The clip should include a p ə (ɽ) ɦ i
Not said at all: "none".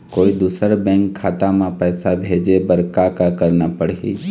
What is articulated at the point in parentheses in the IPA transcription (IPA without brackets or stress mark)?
ɽ